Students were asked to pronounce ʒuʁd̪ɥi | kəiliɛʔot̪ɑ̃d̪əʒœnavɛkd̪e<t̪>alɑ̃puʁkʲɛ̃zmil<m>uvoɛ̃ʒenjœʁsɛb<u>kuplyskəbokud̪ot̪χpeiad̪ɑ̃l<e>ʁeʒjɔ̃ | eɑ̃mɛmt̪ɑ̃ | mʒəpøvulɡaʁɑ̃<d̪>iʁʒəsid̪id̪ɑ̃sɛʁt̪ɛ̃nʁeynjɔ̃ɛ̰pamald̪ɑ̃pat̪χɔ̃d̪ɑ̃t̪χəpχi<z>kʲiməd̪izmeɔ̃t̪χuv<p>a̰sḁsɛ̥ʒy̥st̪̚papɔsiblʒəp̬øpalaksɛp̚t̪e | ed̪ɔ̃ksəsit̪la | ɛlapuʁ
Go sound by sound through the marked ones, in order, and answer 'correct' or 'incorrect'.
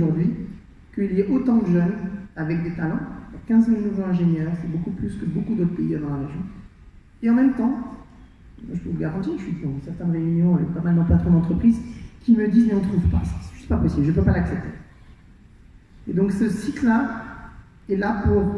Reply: correct, incorrect: n, incorrect: o, incorrect: a, incorrect: t̪, correct, correct

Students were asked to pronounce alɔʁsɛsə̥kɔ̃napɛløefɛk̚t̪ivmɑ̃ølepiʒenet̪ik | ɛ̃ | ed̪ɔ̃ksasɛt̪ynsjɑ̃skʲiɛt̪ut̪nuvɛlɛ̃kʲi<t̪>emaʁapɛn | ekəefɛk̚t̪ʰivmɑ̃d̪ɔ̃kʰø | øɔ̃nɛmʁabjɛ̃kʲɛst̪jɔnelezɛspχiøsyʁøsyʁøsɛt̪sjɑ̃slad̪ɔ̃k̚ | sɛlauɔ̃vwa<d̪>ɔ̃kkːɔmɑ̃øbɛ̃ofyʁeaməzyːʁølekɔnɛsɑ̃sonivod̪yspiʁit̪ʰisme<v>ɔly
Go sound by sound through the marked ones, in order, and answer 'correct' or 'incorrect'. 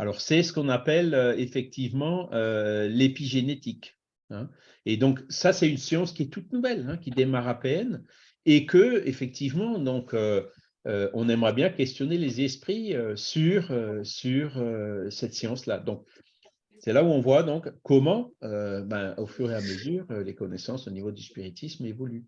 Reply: incorrect: d̪, correct, correct

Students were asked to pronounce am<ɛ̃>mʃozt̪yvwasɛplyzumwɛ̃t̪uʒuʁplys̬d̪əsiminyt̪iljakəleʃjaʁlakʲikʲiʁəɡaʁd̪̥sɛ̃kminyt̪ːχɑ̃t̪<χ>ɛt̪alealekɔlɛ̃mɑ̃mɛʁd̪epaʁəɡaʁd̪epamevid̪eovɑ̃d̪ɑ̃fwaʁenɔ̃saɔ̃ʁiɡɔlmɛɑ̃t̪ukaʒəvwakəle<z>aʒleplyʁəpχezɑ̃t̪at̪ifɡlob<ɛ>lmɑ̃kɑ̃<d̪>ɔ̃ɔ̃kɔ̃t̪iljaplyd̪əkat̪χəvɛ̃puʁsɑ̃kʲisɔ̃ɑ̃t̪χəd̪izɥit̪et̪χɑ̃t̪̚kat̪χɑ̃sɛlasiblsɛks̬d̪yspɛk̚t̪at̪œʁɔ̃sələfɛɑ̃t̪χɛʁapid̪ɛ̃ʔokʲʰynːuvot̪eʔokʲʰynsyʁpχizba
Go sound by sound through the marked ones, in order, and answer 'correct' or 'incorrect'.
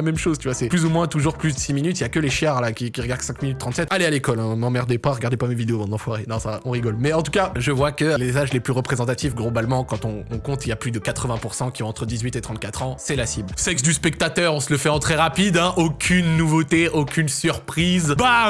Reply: incorrect: ɛ, incorrect: s, correct, incorrect: a, incorrect: t̪

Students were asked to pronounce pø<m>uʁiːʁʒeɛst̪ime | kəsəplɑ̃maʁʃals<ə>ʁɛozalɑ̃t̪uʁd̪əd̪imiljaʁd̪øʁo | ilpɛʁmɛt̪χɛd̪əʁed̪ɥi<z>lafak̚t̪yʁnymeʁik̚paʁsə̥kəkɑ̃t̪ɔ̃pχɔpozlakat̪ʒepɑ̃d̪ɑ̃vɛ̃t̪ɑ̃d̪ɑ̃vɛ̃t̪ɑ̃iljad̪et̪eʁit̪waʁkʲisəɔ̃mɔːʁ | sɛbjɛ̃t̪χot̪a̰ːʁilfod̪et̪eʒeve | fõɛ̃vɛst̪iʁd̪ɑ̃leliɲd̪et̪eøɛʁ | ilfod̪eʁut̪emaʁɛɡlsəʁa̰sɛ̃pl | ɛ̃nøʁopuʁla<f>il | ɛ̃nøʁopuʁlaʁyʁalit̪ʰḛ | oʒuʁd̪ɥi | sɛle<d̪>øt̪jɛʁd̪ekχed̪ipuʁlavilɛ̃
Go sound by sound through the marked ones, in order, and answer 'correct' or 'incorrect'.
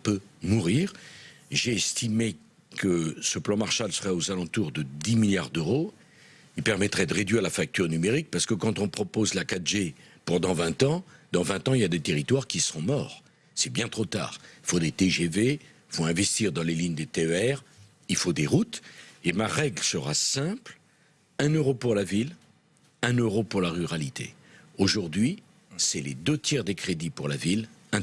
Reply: correct, correct, incorrect: ʁ, incorrect: v, correct

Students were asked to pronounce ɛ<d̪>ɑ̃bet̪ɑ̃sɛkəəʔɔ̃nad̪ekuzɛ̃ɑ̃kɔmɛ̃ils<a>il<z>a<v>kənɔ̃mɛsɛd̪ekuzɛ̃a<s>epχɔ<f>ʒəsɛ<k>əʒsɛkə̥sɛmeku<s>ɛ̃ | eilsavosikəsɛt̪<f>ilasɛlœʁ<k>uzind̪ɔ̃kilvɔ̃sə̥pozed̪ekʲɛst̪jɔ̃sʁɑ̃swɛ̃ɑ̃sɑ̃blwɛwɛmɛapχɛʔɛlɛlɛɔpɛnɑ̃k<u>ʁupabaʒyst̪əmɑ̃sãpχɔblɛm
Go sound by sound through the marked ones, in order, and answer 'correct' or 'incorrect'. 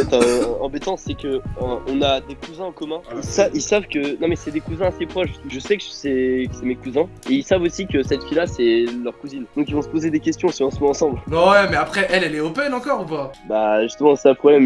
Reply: incorrect: t̪, correct, incorrect: s, correct, correct, incorrect: ʃ, correct, incorrect: z, correct, correct, incorrect: ɔ

